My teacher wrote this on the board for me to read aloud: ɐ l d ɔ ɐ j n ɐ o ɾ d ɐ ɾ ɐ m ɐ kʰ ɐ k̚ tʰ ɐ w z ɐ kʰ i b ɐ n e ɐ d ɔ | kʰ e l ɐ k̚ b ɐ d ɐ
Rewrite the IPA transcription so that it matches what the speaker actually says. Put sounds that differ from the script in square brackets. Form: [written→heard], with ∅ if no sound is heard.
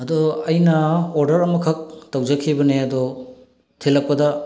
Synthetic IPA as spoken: ɐ [l→∅] d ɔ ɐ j n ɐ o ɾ d ɐ ɾ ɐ m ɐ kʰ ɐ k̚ [tʰ→t] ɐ w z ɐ kʰ i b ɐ n e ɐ d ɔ | [kʰ→tʰ] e l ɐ k̚ [b→p] ɐ d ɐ

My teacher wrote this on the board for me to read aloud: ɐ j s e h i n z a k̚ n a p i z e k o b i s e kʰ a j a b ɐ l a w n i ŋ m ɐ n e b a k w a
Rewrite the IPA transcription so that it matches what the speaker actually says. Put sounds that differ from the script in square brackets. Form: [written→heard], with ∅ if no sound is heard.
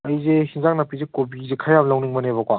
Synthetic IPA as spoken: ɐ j [s→z] e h i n z a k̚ n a p i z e k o b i [s→z] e kʰ a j a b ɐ l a w n i ŋ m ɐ n e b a k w a

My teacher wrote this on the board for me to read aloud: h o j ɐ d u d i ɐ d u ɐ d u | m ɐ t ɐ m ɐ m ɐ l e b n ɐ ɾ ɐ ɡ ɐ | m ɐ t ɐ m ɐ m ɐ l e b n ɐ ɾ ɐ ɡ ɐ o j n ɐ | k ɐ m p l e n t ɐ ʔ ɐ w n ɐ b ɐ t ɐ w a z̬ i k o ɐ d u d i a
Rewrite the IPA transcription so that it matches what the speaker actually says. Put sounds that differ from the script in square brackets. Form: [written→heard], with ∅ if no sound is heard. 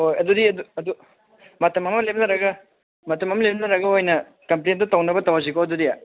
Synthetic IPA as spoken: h o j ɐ d u d i ɐ d u ɐ d u | m ɐ t ɐ m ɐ m ɐ l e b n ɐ ɾ ɐ ɡ ɐ | m ɐ t ɐ m ɐ m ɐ l e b n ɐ ɾ ɐ ɡ ɐ o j n ɐ | k ɐ m p l e n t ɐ [ʔ→t] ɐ w n ɐ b ɐ t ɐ w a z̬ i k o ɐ d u d i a

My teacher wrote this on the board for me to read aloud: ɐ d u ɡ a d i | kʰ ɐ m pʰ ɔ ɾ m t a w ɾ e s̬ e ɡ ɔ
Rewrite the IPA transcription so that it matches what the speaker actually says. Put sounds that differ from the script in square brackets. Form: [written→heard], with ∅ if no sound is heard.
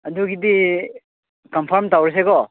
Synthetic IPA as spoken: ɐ d u ɡ [a→i] d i | [kʰ→k] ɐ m pʰ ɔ ɾ m t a w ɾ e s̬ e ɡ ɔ

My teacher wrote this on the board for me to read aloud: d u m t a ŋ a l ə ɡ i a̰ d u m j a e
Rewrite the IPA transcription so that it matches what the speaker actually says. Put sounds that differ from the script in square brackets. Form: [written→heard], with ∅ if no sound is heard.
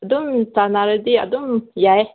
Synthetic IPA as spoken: d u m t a [ŋ→n] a [l→ɾ] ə [ɡ→d] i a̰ d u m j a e

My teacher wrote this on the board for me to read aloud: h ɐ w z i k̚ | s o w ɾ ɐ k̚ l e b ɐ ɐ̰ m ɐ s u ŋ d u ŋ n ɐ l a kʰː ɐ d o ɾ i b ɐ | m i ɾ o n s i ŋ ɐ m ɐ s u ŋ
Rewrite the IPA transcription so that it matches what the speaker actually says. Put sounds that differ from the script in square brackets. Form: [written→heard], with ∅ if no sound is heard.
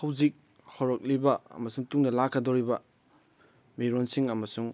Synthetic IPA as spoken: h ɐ w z i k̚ | [s→h] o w ɾ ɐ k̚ l [e→i] b ɐ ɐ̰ m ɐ s u ŋ [d→t] u ŋ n ɐ l a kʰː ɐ d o ɾ i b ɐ | m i ɾ o n s i ŋ ɐ m ɐ s u ŋ

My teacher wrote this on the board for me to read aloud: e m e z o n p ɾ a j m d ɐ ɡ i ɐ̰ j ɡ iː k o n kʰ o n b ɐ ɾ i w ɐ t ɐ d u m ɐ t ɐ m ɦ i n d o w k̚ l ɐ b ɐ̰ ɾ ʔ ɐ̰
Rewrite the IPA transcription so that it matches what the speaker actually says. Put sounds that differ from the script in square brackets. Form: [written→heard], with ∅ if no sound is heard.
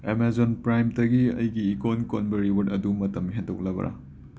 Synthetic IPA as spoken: e m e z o n p ɾ a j m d ɐ ɡ i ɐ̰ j ɡ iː k o n [kʰ→k] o n b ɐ ɾ i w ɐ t ɐ d u m ɐ t ɐ m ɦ [i→e] n d o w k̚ l ɐ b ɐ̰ ɾ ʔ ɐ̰

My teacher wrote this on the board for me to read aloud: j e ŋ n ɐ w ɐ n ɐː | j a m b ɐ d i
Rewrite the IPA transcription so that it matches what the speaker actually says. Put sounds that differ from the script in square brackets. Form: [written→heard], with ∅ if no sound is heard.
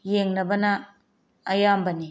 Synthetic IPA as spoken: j e ŋ n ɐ [w→b] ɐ n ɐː | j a m b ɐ [d→n] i

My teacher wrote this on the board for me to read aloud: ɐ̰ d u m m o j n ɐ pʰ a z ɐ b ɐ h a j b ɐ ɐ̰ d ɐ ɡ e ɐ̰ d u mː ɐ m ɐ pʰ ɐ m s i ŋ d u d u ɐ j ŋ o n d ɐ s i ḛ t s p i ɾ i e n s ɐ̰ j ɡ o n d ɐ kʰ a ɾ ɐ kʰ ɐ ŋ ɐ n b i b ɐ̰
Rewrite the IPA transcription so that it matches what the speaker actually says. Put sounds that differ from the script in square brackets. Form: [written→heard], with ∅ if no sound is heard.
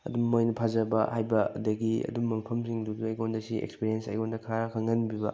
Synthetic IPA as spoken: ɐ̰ d u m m o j n ɐ pʰ a z ɐ b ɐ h a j b ɐ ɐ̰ d ɐ ɡ [e→i] ɐ̰ d u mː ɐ m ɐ pʰ ɐ m s i ŋ d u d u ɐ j [ŋ→ɡ] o n d ɐ s i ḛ [t→k] s p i ɾ i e n s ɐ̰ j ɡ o n d ɐ kʰ a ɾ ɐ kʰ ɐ ŋ ɐ n b i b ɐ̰

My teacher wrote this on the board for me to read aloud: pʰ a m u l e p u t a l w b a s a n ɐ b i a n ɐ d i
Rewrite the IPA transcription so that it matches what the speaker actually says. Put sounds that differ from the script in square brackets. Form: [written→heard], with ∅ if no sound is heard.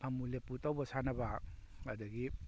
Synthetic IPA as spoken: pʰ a m u l e p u t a [l→∅] w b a s a n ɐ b [i→a] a [n→d] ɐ [d→ɡ] i

